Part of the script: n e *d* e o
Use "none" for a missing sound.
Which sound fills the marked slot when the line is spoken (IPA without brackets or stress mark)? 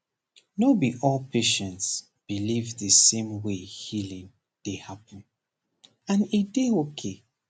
d